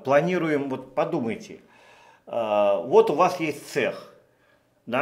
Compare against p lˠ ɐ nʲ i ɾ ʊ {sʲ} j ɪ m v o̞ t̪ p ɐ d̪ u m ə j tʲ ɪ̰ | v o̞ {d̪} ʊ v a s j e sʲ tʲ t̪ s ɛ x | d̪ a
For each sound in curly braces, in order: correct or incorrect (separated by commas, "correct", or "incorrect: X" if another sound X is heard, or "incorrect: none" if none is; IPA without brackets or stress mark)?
incorrect: none, incorrect: t̪